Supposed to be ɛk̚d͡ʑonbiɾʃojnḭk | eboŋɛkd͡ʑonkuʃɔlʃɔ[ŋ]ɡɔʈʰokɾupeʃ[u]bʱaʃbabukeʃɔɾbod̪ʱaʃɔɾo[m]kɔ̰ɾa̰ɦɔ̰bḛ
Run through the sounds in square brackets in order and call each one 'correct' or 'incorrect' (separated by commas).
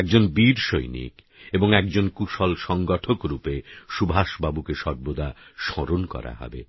correct, correct, incorrect